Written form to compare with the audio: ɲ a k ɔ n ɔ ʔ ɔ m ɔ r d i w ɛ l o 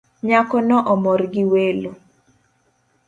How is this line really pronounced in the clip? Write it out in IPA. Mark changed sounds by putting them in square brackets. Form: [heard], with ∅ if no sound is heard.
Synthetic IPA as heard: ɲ a k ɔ n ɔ ʔ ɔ m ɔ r [ɡ] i w [e] l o